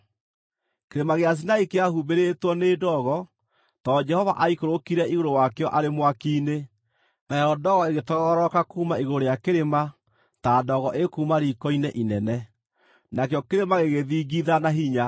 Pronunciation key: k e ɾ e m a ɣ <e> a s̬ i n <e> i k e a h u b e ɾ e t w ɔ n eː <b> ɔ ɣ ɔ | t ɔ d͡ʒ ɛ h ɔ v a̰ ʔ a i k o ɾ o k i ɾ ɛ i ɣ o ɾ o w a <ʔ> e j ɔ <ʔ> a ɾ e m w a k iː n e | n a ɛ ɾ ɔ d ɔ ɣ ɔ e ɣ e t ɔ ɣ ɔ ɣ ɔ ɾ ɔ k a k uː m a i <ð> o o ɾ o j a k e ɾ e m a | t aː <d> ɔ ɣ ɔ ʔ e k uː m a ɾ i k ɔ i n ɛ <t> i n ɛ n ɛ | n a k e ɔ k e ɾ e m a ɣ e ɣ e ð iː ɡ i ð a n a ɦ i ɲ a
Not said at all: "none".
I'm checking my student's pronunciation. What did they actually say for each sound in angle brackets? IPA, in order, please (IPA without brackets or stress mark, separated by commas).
e, a, d, k, ʔ, ɣ, d, ʔ